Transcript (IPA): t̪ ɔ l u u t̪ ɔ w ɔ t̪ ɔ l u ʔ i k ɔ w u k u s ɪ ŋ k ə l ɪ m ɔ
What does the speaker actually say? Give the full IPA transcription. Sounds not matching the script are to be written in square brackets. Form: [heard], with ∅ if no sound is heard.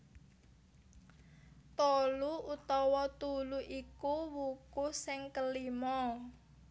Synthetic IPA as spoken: t̪ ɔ l u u t̪ ɔ w ɔ t̪ [u] l u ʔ i k [u] w u k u s ɪ ŋ k ə l [i] m ɔ

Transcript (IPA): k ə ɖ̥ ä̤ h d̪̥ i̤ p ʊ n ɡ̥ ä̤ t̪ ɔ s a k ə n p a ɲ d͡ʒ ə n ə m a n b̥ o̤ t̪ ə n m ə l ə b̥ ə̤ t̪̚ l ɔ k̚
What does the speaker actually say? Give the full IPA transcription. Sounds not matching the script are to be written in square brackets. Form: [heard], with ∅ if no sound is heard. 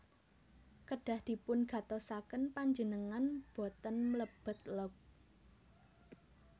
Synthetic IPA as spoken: k ə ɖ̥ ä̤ h d̪̥ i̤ p ʊ n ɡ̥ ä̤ t̪ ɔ s a k ə n p a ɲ d͡ʒ ə n ə [ŋ] a n b̥ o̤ t̪ ə n m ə l ə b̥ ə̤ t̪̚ l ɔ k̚

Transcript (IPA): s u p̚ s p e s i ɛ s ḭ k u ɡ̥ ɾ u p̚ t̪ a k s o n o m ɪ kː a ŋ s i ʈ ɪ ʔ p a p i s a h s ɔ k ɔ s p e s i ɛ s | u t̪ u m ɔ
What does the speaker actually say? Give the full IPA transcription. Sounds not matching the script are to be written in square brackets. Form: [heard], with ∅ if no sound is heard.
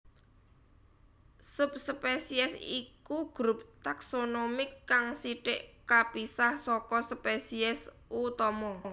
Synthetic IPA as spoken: s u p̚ s p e s i ɛ s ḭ k u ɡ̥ ɾ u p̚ t̪ a k s o n o m ɪ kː a ŋ s i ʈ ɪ ʔ [k] a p i s a h s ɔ k ɔ s p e s i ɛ s | u t̪ [ɔ] m ɔ

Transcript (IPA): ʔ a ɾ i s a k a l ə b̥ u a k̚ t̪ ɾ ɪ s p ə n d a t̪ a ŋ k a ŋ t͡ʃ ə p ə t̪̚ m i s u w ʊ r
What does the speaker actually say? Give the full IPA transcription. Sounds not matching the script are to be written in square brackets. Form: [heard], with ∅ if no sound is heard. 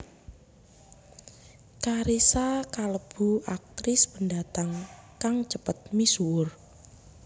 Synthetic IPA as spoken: [k] a ɾ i s a k a l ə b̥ u a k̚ t̪ ɾ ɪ s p ə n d a t̪ a ŋ k a ŋ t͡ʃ ə p ə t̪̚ m i s u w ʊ r

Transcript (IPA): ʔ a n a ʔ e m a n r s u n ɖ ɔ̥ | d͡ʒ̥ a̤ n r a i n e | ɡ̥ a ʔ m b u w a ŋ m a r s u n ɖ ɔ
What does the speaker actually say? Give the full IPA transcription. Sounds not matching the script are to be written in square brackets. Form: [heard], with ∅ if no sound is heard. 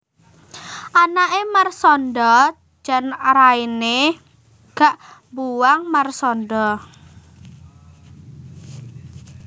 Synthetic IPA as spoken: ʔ a n a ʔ e m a [∅] r s [ɔ] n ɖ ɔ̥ | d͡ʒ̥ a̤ n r a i n e | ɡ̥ a ʔ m b u w a ŋ m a r s [ɔ] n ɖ ɔ

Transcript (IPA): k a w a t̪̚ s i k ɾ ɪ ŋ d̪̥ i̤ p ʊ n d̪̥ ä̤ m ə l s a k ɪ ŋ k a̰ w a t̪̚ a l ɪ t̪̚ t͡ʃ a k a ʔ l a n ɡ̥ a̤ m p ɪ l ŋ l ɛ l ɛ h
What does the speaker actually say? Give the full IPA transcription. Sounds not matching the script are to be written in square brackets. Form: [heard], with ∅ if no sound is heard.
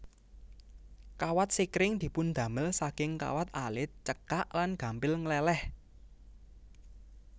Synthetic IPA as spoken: k a w a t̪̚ s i k ɾ ɪ ŋ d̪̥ i̤ p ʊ n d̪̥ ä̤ m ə l s a k ɪ ŋ k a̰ w a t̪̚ a l ɪ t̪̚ t͡ʃ [ə] k a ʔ l a n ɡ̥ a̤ m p ɪ l ŋ l ɛ l ɛ h

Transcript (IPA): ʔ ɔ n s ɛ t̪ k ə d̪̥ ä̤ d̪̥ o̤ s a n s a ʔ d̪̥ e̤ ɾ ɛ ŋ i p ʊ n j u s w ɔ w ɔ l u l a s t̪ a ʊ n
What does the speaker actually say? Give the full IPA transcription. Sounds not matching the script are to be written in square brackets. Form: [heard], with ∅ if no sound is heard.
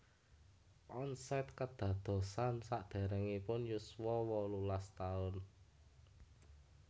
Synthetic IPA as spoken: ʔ ɔ n s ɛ t̪ k ə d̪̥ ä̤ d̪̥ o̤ s a n s a ʔ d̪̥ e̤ ɾ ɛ ŋ i p ʊ n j u s w ɔ w ɔ l u l a s t̪ a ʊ n

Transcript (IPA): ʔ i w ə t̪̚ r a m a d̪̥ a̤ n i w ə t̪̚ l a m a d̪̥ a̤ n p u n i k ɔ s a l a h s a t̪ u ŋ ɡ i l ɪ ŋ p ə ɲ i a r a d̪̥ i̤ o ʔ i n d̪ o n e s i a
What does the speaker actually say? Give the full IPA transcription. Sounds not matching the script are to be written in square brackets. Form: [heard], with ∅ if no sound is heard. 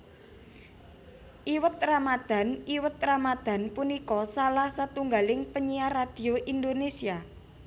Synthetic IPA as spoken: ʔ i w ə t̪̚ r a m a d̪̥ a̤ n i w ə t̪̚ [r] a m a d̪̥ a̤ n p u n i k ɔ s a l a h s a t̪ u ŋ ɡ [a] l ɪ ŋ p ə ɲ i a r a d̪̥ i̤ o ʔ i n d̪ o n e s i a

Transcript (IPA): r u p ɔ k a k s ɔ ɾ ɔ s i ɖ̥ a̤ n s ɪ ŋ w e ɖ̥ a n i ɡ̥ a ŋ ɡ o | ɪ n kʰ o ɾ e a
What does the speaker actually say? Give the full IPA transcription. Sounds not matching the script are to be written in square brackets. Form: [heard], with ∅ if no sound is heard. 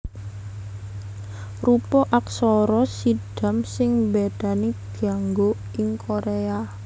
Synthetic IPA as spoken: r u p ɔ [ʔ] a k s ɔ ɾ ɔ s i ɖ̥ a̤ [m] s ɪ ŋ [b] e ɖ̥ a n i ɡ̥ a ŋ ɡ o | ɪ [ŋ] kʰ o ɾ e a

